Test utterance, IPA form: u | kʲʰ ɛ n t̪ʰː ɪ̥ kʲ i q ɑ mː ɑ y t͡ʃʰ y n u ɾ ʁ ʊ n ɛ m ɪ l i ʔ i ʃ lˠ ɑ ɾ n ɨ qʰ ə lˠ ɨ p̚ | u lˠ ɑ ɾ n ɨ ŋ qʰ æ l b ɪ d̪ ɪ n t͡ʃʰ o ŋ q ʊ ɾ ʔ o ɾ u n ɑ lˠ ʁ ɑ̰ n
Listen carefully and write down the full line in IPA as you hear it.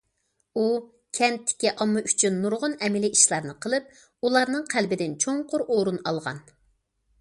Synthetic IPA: u | kʲʰ ɛ n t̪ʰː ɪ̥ kʲ i ʔ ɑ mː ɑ y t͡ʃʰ y nː u ɾ ʁ ʊ n ɛ m ɪ l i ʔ i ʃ lˠ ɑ ɾ n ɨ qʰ ə lˠ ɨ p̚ | u lˠ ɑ ɾ n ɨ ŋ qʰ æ l b ɪ d̪ ɪ n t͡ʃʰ o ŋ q ʊ ɾ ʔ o ɾ u n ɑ lˠ ʁ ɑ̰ n